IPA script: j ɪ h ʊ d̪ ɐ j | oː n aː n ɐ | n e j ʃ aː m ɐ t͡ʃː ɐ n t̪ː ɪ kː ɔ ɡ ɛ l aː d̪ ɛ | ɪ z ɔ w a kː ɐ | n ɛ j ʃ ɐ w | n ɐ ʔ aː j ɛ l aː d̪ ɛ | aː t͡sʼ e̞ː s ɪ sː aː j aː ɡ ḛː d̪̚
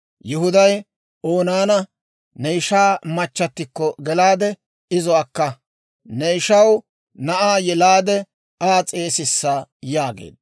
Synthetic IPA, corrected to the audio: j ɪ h ʊ d̪ ɐ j | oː n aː n ɐ | n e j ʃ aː m ɐ t͡ʃː ɐ t̪ː ɪ kː ɔ ɡ ɛ l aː d̪ ɛ | ɪ z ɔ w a kː ɐ | n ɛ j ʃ ɐ w | n ɐ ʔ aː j ɛ l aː d̪ ɛ | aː t͡sʼ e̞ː s ɪ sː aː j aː ɡ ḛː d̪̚